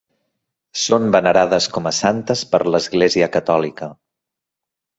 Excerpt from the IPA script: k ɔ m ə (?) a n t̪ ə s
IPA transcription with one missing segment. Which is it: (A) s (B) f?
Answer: A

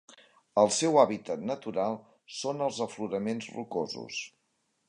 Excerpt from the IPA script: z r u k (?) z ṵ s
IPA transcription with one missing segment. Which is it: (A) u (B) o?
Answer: B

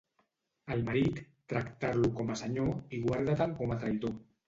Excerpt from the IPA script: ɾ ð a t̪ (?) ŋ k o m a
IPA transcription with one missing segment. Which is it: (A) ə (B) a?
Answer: B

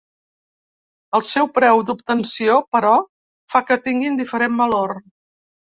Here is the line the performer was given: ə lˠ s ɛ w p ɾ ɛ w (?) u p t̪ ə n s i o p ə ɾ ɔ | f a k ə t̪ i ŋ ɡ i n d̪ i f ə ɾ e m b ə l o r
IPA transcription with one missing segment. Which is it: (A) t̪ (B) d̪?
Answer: B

